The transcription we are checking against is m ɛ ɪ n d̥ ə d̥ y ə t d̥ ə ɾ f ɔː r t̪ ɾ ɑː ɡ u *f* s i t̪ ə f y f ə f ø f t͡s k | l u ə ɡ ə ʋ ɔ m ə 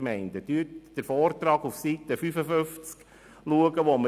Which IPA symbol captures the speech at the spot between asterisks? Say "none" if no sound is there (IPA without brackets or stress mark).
f